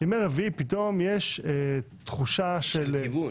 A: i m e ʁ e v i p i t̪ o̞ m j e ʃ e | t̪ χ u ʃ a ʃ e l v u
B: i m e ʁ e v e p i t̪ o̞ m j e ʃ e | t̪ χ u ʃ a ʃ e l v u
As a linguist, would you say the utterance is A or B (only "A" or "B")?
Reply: A